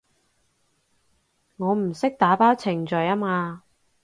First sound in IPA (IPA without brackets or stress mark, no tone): ŋ